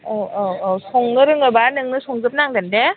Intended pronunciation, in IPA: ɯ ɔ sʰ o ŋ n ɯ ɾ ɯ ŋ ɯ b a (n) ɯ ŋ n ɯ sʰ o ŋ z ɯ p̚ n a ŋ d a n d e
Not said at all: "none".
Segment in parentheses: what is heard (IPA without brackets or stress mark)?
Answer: n